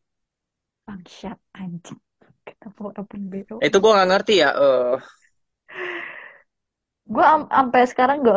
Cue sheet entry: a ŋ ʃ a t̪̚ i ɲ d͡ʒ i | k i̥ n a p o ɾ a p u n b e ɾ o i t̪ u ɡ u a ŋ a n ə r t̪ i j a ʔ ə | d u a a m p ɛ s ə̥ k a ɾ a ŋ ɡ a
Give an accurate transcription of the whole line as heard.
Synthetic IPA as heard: a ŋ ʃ a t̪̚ a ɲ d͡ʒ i | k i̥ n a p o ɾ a p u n b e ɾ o i t̪ u ɡ u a ŋ a ŋ ə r t̪ i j a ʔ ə | ɡ u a a m p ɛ s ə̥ k a ɾ a ŋ ɡ a